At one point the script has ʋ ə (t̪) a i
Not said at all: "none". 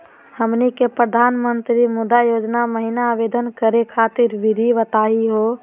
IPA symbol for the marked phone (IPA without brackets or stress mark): t̪